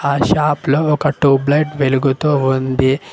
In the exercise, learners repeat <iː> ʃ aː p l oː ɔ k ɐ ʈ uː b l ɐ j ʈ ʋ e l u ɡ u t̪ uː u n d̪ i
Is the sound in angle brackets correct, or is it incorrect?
incorrect